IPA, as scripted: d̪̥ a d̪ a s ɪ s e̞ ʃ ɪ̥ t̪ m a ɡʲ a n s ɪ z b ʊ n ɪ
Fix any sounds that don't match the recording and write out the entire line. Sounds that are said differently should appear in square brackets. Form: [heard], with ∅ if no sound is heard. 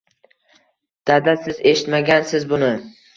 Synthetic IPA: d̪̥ a d̪ a s ɪ [z] e̞ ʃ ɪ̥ t̪ m a ɡʲ a n s ɪ z b ʊ n ɪ